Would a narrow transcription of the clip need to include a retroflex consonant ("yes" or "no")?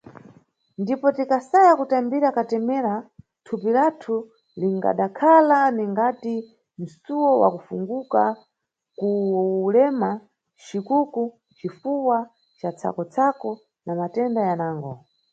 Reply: no